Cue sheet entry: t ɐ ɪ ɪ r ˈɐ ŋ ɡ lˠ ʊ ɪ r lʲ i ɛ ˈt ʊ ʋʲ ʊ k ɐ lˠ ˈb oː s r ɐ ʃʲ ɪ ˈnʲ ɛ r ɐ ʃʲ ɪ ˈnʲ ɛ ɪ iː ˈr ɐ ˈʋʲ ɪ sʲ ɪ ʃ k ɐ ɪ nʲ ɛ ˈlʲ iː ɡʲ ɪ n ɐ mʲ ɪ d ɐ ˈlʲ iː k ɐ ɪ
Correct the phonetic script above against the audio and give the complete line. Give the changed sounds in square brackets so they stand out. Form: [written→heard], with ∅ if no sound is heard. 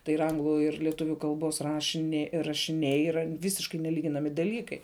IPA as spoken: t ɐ ɪ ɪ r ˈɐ ŋ ɡ lˠ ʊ ɪ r lʲ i ɛ ˈt ʊ ʋʲ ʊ k ɐ lˠ ˈb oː s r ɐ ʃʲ ɪ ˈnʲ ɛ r ɐ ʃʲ ɪ ˈnʲ ɛ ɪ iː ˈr ɐ ˈʋʲ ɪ sʲ ɪ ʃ k ɐ ɪ nʲ ɛ ˈlʲ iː ɡʲ ɪ n ɐ mʲ ɪ d ɐ ˈlʲ iː k ɐ ɪ